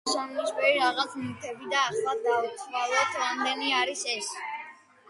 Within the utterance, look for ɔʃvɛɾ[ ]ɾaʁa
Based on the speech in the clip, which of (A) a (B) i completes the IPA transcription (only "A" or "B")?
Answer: B